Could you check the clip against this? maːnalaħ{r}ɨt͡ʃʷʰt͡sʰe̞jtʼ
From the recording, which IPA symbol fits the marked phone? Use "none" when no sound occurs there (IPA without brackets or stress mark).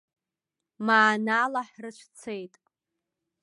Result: r